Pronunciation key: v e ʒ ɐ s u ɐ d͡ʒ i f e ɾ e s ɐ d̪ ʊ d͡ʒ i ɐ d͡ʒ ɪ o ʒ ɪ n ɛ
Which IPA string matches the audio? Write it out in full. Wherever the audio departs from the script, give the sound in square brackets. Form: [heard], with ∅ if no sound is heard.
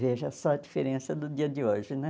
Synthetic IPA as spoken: v e ʒ ɐ s [ɔ] ɐ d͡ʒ i f e ɾ [ẽ] s ɐ d̪ ʊ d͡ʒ i ɐ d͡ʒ ɪ o ʒ ɪ n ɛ

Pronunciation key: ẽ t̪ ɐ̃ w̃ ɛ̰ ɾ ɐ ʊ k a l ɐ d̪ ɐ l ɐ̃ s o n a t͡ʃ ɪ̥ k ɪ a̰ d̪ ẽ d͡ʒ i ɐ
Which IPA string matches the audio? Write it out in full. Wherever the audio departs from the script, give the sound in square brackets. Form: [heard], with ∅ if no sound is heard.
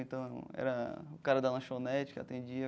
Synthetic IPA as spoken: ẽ t̪ ɐ̃ w̃ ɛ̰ ɾ ɐ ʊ k a [ɾ] ɐ d̪ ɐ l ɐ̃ [ʃ] o n [ɛ] t͡ʃ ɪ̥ k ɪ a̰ [t̪] ẽ d͡ʒ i ɐ

